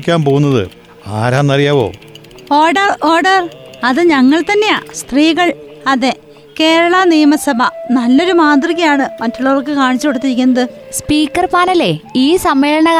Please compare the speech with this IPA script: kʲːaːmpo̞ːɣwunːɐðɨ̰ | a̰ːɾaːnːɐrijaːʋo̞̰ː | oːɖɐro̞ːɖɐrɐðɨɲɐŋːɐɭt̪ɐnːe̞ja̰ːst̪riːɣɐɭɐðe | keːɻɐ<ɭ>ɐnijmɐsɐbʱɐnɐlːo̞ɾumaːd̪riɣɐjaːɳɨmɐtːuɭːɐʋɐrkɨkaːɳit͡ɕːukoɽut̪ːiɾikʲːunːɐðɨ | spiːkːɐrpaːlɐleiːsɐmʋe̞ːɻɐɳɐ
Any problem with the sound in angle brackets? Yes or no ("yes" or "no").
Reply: no